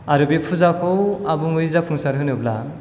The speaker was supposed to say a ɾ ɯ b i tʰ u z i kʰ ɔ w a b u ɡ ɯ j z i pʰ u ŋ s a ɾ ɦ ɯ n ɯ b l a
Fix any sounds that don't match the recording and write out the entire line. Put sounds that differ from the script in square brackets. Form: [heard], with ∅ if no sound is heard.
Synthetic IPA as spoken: a ɾ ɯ b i [pʰ] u z [a] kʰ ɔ w a b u [ŋ] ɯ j z [a] pʰ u ŋ s a ɾ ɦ ɯ n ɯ b l a